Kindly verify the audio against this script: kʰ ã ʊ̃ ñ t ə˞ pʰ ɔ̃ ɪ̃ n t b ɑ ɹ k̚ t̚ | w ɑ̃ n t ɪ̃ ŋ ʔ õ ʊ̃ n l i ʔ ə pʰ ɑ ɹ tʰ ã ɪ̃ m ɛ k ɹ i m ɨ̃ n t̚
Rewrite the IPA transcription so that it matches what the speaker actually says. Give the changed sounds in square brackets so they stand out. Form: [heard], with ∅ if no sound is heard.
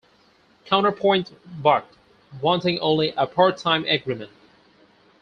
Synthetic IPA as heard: kʰ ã ʊ̃ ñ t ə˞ pʰ ɔ̃ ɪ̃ n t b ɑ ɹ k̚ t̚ | w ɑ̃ n t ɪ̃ ŋ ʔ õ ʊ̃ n l i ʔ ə pʰ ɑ ɹ tʰ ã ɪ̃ m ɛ [ɡ] ɹ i m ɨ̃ n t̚